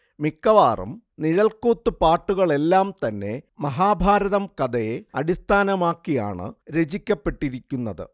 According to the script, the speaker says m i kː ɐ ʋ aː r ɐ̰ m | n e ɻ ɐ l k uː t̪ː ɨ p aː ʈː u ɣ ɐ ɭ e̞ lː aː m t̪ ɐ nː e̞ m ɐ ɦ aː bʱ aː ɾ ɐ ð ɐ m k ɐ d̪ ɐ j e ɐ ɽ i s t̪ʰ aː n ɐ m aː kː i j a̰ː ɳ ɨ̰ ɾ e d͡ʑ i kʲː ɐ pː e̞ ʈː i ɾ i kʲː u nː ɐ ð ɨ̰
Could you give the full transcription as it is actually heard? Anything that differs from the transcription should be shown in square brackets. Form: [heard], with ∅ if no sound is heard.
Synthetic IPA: m i kː ɐ ʋ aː r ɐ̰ m | n [i] ɻ ɐ l k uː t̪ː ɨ p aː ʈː u ɣ ɐ ɭ e̞ lː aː m t̪ ɐ nː e̞ m ɐ ɦ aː bʱ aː ɾ ɐ ð ɐ m k ɐ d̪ ɐ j e ɐ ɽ i s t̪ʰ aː n ɐ m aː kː i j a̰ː ɳ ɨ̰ ɾ e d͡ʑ i kʲː ɐ pː e̞ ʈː i ɾ i kʲː u nː ɐ ð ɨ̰